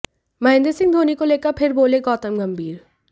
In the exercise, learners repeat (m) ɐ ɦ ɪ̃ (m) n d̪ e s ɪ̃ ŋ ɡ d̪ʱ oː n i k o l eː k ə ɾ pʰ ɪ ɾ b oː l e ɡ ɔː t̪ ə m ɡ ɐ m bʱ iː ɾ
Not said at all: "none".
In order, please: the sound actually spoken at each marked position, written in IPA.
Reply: m, none

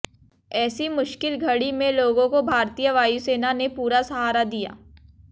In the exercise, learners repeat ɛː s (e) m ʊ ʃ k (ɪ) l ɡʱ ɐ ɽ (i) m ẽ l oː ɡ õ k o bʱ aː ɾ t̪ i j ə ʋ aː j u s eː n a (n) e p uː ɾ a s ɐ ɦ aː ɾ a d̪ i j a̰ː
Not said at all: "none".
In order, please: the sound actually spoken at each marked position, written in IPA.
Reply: i, ɪ, i, n

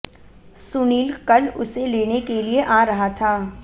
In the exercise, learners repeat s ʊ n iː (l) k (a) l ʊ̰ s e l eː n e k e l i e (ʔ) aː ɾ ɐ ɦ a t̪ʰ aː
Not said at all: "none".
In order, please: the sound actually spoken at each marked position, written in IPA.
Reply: l, ɐ, ʔ

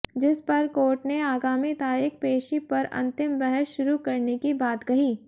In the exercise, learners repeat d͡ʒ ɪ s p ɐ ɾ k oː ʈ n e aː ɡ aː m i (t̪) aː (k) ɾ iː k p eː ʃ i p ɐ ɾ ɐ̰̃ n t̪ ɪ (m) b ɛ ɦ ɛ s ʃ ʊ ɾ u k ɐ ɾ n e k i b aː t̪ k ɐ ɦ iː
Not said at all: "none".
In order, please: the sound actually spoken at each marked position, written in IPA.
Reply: t̪, none, m

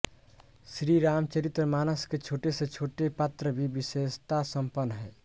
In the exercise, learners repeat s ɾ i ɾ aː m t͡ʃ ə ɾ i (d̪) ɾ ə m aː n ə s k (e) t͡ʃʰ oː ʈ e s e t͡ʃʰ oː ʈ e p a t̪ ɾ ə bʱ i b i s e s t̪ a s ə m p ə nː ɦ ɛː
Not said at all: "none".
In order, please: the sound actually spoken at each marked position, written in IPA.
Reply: t̪, e

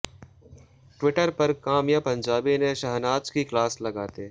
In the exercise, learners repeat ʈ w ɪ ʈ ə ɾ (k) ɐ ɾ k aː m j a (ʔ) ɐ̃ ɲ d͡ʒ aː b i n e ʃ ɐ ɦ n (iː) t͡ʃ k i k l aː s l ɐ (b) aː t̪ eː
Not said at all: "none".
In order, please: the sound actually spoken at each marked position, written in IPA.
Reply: p, p, aː, ɡ

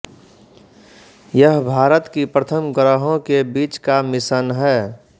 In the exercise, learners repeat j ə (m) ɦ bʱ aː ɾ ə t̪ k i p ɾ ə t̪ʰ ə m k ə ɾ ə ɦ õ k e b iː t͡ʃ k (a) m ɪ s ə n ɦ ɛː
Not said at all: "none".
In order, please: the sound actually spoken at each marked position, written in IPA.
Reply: none, a

